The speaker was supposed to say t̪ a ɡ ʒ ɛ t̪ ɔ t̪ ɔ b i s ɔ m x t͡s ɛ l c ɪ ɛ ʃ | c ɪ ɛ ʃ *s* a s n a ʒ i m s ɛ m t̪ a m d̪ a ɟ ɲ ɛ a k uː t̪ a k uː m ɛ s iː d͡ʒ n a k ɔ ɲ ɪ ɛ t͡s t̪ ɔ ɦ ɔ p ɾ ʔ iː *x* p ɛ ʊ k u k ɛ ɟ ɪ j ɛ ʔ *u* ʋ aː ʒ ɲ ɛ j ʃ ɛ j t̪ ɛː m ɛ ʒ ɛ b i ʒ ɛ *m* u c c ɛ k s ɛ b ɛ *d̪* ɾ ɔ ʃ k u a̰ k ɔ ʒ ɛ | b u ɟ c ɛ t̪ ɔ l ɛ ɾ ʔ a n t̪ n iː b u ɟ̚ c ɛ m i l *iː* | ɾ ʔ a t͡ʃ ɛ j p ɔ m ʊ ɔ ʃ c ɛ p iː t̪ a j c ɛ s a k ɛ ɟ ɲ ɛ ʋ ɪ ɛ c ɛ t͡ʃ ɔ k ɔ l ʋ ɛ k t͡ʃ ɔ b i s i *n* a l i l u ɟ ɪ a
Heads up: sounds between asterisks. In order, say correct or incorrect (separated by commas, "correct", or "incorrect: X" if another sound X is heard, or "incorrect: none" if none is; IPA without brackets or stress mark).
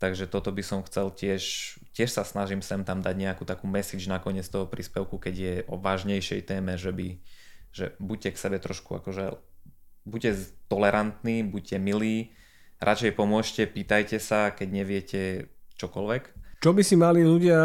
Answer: correct, incorrect: s, incorrect: ɔ, incorrect: b, incorrect: t̪, correct, incorrect: m